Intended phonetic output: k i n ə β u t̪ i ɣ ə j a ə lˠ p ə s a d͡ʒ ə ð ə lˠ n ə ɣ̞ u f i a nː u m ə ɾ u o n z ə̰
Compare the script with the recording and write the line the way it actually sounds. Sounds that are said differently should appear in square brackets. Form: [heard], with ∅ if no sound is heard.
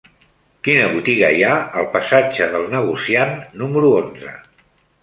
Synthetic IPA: k i n ə β u t̪ i ɣ ə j a ə lˠ p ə s a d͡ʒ ə ð ə lˠ n ə ɣ̞ u [s] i a nː u m ə ɾ u o n z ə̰